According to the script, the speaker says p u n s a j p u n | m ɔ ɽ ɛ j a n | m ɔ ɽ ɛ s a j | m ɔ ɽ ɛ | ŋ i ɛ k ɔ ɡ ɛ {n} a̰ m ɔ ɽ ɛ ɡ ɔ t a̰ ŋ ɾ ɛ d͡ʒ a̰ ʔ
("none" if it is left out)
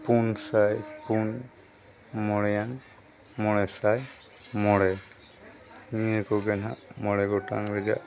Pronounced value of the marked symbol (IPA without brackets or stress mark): n